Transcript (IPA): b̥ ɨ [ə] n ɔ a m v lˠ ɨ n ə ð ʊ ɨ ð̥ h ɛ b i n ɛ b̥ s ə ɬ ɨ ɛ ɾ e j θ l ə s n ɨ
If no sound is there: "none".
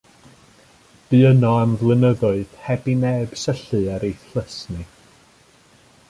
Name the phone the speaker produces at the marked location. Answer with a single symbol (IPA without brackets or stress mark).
ə